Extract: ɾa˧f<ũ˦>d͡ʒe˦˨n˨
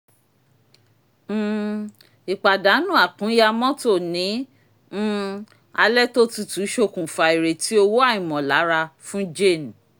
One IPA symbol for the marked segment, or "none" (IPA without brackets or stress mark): ũ˦